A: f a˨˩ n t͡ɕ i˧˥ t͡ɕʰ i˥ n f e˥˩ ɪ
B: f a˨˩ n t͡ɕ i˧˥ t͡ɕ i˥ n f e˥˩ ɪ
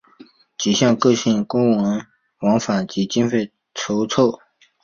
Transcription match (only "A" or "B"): B